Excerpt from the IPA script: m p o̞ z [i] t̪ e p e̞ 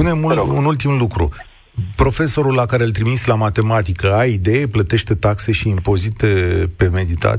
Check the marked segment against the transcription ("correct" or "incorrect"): correct